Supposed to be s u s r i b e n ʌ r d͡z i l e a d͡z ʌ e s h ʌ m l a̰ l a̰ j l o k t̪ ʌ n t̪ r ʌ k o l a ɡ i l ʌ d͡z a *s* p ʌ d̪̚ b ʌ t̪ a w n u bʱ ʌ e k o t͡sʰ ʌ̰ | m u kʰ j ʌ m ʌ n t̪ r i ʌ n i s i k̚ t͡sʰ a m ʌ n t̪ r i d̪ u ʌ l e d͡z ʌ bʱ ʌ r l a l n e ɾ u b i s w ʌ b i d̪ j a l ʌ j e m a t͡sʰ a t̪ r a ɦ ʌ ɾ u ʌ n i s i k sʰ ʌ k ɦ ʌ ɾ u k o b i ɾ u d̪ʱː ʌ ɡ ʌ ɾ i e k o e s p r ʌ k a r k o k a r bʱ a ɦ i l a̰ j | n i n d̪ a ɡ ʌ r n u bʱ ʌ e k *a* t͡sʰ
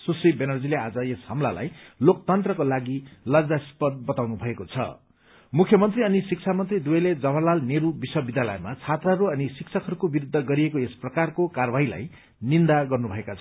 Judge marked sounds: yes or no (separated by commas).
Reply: yes, yes